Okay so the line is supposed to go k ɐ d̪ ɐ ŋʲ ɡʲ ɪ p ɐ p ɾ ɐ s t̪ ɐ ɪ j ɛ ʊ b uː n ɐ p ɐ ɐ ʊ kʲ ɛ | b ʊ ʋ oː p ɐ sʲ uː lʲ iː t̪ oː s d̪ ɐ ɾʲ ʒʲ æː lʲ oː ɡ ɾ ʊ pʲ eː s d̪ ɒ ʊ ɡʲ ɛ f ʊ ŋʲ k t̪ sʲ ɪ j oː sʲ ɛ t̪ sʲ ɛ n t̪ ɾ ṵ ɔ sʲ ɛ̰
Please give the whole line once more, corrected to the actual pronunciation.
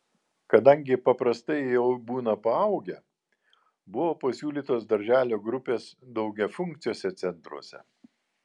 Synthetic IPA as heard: k ɐ d̪ ɐ ŋʲ ɡʲ ɪ p ɐ p ɾ ɐ s t̪ ɐ ɪ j ɛ ʊ b uː n ɐ p ɐ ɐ ʊ ɡʲ ɛ | b ʊ ʋ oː p ɐ sʲ uː lʲ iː t̪ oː s d̪ ɐ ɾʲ ʒʲ æː lʲ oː ɡ ɾ ʊ pʲ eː s d̪ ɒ ʊ ɡʲ ɛ f ʊ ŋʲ k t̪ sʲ ɪ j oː sʲ ɛ t̪ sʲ ɛ n t̪ ɾ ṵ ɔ sʲ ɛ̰